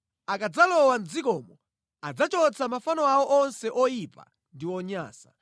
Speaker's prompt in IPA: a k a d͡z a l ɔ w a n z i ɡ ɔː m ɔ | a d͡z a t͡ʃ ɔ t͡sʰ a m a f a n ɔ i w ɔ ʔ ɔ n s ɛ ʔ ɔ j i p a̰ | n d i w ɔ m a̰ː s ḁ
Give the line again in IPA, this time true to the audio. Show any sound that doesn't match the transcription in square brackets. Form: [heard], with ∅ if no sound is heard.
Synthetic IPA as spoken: a k a d͡z a l ɔ w a n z i [k] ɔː m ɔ | a d͡z a t͡ʃ ɔ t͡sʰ a m a f a n ɔ [a] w ɔ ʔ ɔ n s ɛ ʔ ɔ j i p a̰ | n d i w ɔ [ɲ] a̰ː s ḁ